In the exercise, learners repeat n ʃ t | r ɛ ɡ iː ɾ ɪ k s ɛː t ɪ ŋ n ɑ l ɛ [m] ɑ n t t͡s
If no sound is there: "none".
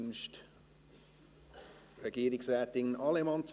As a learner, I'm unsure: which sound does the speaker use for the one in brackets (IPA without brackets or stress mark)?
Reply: m